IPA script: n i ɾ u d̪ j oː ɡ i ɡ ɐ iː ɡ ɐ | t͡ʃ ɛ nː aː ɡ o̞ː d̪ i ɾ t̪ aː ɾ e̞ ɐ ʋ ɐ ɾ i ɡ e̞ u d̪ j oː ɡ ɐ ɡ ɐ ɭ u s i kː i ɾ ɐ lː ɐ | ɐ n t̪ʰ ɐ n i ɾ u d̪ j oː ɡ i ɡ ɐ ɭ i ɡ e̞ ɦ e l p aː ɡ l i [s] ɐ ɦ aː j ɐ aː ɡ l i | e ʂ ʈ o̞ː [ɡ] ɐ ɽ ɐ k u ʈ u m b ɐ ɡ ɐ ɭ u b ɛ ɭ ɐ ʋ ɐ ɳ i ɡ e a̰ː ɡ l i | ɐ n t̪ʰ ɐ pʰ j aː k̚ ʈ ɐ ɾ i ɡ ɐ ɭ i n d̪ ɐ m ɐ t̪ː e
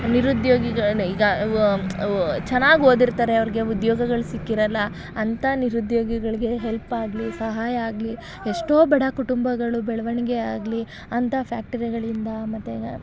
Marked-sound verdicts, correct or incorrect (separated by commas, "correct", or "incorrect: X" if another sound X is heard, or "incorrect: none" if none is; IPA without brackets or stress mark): correct, incorrect: b